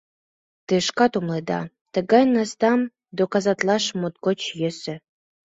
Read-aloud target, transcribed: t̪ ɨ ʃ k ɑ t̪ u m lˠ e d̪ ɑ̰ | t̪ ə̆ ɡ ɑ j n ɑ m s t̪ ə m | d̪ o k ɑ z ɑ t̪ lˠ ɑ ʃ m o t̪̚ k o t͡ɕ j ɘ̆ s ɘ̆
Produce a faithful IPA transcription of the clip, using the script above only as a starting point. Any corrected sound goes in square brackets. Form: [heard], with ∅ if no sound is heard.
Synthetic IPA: t̪ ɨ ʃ k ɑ t̪ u m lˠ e d̪ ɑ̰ | t̪ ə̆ ɡ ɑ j n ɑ [∅] s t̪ [ɑ] m | d̪ o k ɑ z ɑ t̪ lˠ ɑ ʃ m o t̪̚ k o t͡ɕ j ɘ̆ s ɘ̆